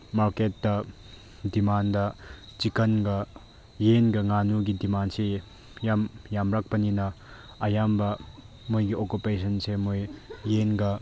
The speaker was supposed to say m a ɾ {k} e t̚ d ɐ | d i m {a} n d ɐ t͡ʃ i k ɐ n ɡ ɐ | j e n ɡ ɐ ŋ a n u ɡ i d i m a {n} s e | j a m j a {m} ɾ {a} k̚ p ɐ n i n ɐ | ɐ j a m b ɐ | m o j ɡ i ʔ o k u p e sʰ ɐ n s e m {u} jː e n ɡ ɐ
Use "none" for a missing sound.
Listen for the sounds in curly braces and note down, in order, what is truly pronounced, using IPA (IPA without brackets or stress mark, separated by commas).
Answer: k, a, n, m, a, o